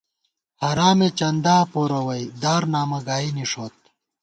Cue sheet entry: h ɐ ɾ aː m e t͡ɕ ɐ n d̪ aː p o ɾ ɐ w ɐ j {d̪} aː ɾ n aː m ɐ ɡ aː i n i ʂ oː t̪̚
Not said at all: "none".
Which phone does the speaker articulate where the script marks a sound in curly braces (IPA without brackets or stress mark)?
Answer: d̪